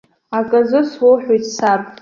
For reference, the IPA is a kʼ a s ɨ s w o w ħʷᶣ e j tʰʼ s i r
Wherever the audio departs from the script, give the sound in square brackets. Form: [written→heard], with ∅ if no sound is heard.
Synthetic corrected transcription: a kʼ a [s→z] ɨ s w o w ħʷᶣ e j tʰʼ s [i→a] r

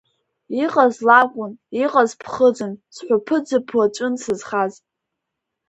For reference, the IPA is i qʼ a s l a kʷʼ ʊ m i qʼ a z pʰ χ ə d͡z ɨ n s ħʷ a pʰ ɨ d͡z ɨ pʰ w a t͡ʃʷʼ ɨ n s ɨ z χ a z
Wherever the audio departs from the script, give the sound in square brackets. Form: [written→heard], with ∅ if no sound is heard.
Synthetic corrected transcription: i qʼ a [s→z] l a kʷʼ ʊ [m→n] i qʼ a z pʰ χ ə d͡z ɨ n s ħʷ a pʰ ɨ d͡z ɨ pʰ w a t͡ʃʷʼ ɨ n s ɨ z χ a z

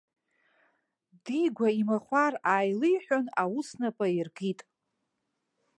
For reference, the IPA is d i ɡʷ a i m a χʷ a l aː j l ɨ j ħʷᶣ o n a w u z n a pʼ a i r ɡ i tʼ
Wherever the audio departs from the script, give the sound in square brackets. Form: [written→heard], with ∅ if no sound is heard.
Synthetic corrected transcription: d i ɡʷ a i m a χʷ a [l→r] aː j l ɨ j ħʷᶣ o n a w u [z→s] n a pʼ a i r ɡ i tʼ

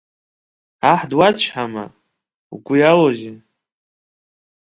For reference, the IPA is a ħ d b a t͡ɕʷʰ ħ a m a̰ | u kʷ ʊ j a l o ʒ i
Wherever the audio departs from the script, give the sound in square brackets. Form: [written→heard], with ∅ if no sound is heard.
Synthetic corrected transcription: a ħ d [b→w] a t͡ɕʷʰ ħ a m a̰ | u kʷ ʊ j a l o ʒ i

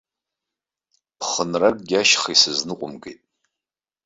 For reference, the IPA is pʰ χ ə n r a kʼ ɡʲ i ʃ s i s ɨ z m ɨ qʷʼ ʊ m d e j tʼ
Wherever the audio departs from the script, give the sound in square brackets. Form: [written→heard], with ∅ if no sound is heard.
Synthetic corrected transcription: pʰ χ ə n r a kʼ ɡʲ [i→a] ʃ [s→χ] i s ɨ z [m→n] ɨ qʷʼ ʊ m [d→ɡ] e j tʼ

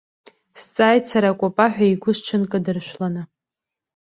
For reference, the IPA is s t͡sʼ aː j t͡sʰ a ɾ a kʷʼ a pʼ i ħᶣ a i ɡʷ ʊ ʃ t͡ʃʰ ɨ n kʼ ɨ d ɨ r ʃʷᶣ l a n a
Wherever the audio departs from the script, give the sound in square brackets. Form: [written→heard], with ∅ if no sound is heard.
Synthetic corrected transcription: s t͡sʼ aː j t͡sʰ a ɾ a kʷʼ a pʼ [i→a] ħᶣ a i ɡʷ ʊ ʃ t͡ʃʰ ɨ n kʼ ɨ d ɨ r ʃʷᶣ l a n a

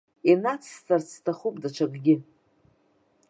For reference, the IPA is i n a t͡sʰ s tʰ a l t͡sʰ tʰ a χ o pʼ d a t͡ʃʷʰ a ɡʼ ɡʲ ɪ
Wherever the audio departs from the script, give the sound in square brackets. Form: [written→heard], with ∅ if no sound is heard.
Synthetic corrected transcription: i n a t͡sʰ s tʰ a [l→r] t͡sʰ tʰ a χ [o→u] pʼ d a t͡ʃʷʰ a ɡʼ ɡʲ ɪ

